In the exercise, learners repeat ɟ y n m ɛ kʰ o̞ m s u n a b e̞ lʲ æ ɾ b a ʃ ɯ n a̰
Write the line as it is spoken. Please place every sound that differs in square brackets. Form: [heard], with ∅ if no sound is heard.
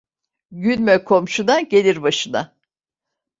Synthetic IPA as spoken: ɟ y n m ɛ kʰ o̞ m [ʃ] u n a [ɟ] e̞ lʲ [i] ɾ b a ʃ ɯ n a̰